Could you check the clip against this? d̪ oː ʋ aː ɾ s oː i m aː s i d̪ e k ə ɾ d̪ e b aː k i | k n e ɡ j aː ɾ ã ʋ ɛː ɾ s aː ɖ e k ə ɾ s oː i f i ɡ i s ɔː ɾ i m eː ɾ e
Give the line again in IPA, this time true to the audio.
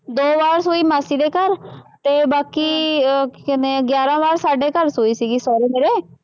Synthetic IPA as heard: d̪ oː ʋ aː ɾ s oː i m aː s i d̪ e k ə ɾ t̪ e b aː k i | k n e ɡ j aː ɾ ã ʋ aː ɾ s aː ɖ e k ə ɾ s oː i s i ɡ i s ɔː ɾ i m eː ɾ e